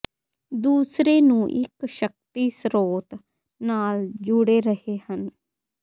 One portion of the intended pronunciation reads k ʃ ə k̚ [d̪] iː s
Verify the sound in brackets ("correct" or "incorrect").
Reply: incorrect